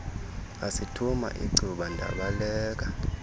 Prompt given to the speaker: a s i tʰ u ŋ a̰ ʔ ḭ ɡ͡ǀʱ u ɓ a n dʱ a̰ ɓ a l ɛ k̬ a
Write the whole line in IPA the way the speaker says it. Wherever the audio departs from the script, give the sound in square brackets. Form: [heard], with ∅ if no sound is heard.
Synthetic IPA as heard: a s i tʰ u [m] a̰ ʔ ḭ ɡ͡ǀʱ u ɓ a n dʱ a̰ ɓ a l [ɛː] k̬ a